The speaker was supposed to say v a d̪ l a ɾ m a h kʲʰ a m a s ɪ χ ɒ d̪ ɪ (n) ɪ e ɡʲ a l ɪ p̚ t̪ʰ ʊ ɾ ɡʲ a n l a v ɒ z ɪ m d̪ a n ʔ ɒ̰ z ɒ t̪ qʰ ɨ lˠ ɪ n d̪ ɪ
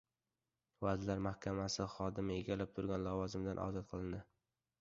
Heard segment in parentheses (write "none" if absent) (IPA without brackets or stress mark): m